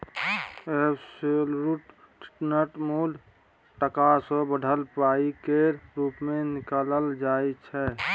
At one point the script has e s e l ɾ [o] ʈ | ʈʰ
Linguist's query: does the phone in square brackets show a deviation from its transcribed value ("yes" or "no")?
yes